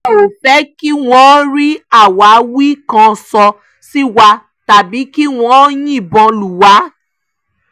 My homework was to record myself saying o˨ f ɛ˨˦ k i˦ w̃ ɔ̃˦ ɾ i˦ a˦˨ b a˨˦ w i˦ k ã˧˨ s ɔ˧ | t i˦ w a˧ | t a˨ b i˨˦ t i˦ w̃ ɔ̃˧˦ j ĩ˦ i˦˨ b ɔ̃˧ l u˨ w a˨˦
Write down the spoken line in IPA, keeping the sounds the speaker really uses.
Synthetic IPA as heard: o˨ f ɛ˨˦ k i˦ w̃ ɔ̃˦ ɾ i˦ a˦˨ w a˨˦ w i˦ k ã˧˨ s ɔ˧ | s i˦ w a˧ | t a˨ b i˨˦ k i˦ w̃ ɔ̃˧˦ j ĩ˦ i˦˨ b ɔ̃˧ l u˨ w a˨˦